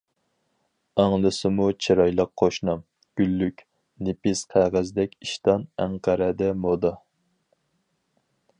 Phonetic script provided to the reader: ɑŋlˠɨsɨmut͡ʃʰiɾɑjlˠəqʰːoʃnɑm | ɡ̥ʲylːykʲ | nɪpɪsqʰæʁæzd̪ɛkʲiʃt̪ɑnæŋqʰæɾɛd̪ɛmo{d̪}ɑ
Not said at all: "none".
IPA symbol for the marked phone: d̪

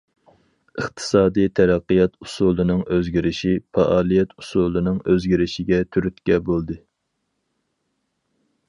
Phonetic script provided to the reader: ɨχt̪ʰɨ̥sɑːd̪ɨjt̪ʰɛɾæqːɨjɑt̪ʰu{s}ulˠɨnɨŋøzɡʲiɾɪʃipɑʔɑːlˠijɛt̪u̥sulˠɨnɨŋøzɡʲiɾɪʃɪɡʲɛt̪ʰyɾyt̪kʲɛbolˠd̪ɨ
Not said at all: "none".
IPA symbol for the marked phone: s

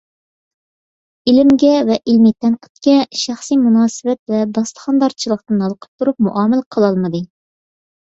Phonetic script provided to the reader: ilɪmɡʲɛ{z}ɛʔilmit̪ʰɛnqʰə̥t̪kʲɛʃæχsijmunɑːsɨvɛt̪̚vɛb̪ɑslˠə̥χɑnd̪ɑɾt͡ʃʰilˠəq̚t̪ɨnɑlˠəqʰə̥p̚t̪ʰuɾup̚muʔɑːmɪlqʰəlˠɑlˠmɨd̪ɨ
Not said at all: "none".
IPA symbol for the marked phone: v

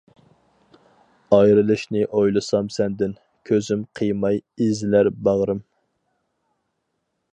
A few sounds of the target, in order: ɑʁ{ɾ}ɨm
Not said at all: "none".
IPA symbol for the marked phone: ɾ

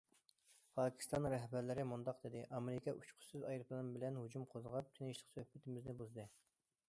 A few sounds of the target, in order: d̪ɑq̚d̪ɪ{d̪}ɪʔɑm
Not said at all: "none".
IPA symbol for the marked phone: d̪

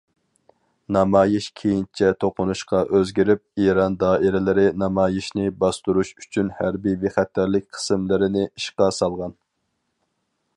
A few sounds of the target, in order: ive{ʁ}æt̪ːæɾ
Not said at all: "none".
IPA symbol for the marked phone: χ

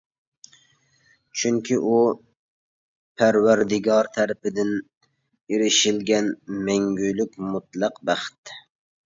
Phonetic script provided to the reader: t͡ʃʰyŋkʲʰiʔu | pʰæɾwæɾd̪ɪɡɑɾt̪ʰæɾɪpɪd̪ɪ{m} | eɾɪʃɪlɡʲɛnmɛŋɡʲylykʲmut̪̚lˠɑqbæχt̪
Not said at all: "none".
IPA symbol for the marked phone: n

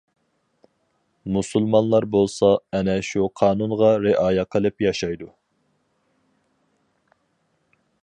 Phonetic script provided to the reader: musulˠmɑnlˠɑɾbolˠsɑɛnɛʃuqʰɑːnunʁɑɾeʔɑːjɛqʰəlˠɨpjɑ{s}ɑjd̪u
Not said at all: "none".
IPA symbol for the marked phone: ʃ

